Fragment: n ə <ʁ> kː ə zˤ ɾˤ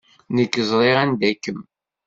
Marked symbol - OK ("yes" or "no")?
no